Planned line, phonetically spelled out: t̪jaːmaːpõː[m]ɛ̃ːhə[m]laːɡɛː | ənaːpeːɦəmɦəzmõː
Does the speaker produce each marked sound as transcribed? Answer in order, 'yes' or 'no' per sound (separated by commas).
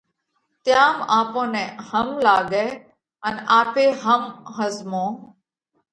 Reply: no, yes